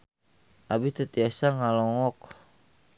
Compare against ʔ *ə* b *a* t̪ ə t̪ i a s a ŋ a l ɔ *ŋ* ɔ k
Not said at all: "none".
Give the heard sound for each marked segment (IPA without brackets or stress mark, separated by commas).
a, i, ŋ